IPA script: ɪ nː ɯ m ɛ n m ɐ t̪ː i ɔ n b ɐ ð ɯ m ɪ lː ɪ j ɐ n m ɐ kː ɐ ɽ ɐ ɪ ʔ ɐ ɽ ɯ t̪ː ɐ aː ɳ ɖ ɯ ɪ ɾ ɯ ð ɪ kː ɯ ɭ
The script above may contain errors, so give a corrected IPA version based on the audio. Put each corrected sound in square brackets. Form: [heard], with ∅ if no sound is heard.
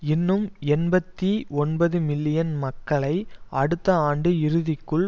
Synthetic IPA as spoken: ɪ nː ɯ m ɛ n [b] ɐ t̪ː i ɔ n b ɐ ð ɯ m ɪ lː ɪ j ɐ n m ɐ kː ɐ [ɭ] ɐ ɪ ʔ ɐ ɽ ɯ t̪ː ɐ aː ɳ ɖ ɯ ɪ ɾ ɯ ð ɪ kː ɯ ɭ